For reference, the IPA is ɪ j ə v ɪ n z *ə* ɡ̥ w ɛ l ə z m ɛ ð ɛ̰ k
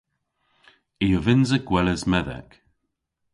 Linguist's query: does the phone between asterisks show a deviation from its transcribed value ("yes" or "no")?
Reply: no